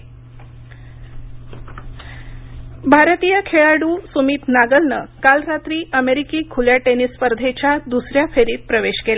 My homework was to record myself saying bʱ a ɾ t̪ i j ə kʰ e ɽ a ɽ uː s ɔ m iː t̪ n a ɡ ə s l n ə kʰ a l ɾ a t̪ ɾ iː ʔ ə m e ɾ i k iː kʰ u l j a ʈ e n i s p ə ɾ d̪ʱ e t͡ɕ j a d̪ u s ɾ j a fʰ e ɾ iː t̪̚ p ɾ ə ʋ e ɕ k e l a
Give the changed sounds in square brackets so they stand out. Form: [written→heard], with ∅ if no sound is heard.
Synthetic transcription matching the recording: bʱ a ɾ t̪ i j ə kʰ e [ɽ→ɭ] a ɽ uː s [ɔ→u] m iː t̪ n a ɡ ə [s→∅] l n ə [kʰ→k] a l ɾ a t̪ ɾ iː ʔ ə m e ɾ i k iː kʰ u l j a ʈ e n i s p ə ɾ d̪ʱ e t͡ɕ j a d̪ u s ɾ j a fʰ e ɾ iː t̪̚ p ɾ ə ʋ e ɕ k e l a